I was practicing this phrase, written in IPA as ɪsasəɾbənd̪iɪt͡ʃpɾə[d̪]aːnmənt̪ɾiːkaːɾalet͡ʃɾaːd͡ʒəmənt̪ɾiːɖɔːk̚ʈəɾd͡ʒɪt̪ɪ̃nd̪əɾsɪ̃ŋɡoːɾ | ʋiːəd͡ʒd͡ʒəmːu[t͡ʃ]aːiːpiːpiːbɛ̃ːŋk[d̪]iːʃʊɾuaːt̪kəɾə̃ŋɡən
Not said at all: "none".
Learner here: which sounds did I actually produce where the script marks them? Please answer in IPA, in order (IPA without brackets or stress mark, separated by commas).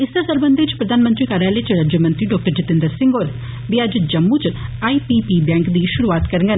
d̪, t͡ʃ, d̪